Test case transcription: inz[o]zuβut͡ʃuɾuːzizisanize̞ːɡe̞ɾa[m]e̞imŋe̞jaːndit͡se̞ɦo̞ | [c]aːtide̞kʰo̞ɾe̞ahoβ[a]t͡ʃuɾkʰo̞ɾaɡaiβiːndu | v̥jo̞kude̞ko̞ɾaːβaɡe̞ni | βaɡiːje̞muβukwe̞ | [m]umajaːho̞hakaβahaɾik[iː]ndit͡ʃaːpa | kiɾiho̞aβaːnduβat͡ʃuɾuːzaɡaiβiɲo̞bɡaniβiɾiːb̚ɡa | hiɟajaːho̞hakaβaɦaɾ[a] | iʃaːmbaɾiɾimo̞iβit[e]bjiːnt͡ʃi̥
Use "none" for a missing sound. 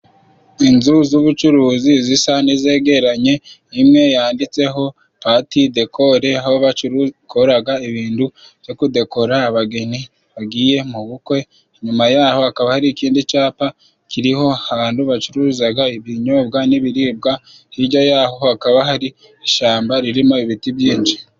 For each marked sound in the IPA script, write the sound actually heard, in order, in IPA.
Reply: u, ɲ, p, a, ɲ, iː, i, i

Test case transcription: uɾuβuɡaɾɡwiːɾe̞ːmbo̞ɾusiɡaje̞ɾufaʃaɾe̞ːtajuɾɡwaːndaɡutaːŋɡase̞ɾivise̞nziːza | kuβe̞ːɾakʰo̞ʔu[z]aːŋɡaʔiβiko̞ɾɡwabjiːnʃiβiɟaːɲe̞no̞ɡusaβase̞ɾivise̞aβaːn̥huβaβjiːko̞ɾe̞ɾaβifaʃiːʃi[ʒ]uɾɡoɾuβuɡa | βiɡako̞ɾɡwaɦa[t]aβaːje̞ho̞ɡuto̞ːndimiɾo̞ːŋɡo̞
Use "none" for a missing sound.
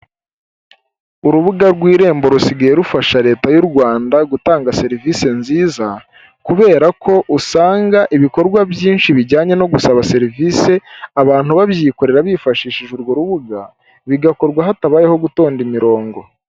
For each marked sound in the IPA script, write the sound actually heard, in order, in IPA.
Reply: s, ʒ, t

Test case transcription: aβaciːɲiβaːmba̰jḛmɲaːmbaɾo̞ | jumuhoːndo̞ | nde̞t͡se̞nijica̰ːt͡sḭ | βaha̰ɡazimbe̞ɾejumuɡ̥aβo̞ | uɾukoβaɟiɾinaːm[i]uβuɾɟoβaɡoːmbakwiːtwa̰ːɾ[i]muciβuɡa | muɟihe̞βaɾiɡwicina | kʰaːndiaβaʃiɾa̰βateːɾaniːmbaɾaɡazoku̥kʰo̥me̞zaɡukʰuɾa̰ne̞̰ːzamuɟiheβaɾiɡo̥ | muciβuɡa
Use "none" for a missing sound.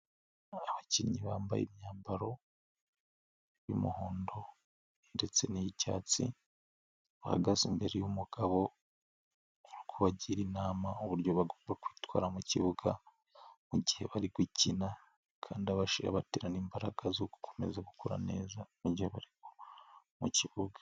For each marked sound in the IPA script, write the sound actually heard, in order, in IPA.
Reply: a, a

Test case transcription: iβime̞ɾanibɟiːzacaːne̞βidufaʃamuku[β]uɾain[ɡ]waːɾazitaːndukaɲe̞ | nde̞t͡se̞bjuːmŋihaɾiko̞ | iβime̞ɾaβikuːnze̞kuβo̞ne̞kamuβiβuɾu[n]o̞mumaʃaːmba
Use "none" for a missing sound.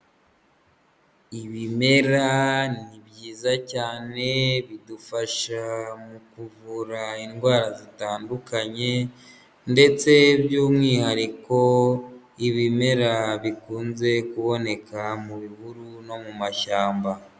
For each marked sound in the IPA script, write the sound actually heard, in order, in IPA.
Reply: v, ɡ, n

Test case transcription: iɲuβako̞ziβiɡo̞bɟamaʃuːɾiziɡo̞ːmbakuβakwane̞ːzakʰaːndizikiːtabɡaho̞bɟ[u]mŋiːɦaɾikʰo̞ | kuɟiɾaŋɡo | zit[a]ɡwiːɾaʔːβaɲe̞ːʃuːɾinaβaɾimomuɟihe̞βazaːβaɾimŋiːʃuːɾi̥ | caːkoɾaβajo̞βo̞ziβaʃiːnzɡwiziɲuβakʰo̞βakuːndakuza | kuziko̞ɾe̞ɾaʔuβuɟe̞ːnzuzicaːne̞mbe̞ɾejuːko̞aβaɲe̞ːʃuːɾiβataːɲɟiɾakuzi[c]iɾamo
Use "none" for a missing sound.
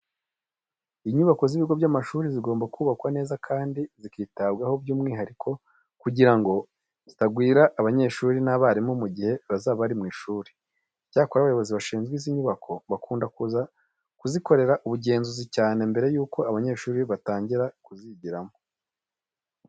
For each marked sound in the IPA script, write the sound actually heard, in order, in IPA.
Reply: uː, a, ɟ

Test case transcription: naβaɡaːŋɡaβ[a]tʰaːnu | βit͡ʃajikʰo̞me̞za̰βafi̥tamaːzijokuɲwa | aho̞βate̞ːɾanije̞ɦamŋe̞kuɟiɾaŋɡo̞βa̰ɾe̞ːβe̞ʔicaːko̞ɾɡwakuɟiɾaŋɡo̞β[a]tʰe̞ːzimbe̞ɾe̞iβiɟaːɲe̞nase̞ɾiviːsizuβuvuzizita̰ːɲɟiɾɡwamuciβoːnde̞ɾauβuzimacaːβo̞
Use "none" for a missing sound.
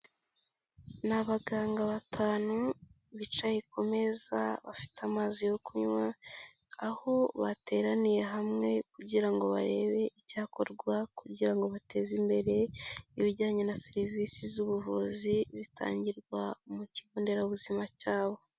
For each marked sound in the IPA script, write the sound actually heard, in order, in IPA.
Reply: a, a

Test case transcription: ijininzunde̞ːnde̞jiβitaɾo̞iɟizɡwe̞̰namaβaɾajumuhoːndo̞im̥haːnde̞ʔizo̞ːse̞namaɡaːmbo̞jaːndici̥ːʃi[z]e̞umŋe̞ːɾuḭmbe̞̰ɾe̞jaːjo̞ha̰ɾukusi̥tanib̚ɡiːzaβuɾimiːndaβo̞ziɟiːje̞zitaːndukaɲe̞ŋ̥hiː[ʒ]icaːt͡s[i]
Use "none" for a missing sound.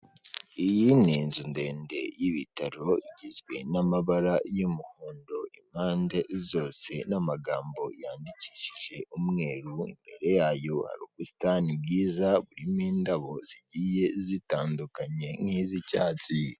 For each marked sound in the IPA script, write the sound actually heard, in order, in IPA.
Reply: ʒ, z, i

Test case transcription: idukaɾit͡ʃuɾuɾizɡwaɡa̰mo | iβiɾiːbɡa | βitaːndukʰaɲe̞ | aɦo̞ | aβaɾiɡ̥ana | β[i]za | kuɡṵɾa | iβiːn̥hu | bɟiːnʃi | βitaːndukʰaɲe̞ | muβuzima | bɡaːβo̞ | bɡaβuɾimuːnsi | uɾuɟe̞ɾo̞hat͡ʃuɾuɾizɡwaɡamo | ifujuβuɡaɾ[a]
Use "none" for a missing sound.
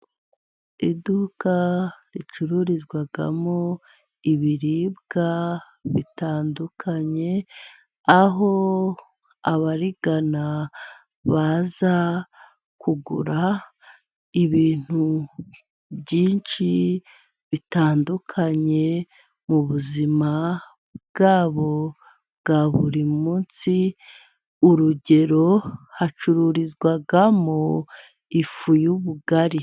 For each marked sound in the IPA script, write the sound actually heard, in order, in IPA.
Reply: a, i

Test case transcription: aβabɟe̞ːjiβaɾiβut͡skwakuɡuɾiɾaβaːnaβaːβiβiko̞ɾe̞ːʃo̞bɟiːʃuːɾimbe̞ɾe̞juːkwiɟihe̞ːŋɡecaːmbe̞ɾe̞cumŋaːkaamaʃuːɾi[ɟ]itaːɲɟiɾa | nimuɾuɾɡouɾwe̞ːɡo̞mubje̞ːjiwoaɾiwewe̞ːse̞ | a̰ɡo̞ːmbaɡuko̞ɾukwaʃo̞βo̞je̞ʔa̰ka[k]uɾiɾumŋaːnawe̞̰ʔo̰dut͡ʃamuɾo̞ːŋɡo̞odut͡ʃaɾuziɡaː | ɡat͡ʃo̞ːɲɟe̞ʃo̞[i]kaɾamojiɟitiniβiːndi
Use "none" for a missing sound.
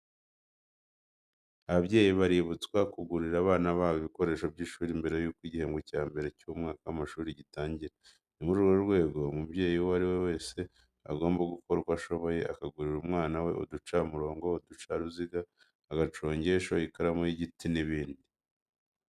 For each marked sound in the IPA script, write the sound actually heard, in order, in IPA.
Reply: ɟ, ɡ, i

